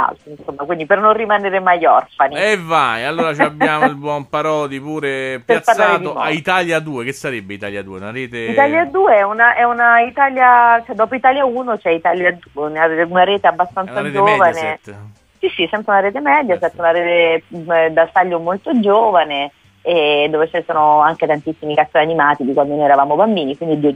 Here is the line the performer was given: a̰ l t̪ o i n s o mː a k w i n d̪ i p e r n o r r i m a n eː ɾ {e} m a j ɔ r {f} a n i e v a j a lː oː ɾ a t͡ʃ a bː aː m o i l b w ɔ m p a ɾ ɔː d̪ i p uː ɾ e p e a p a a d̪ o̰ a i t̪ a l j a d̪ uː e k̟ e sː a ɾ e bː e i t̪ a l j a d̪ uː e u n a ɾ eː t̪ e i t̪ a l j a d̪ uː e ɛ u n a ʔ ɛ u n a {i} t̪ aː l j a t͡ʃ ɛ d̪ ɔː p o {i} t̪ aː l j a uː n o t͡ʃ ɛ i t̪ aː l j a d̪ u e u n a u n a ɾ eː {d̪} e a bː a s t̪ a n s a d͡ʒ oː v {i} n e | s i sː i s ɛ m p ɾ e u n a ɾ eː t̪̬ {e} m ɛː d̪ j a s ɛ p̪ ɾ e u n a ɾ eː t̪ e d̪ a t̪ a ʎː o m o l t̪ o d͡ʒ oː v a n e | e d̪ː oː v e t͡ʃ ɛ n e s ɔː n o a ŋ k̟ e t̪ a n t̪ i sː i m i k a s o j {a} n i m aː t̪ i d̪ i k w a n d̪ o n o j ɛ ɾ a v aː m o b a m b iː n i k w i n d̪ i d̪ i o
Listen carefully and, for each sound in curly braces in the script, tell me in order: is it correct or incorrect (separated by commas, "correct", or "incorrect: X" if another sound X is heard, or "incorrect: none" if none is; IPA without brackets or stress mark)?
correct, correct, correct, correct, incorrect: t̪, incorrect: a, correct, correct